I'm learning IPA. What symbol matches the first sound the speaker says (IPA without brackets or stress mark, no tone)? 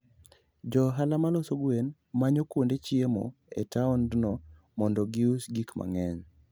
d͡ʒ